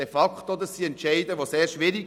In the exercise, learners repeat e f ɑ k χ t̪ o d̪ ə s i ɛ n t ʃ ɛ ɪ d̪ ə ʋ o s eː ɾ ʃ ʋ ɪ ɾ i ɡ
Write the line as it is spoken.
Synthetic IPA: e f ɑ k χ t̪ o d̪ ə s i ɛ n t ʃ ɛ ɪ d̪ ə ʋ o s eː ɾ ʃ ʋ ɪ ɾ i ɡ